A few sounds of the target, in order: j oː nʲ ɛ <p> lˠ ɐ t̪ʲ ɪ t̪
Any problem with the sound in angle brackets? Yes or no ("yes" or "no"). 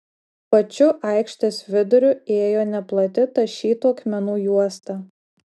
no